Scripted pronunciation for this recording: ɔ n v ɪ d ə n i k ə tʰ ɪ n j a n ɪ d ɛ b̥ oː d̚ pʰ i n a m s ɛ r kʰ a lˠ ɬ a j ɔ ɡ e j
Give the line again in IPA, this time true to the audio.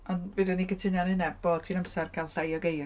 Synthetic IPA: ɔ n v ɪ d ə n i k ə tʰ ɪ n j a n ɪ n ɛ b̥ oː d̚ tʰ i n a m s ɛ r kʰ a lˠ ɬ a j ɔ ɡ e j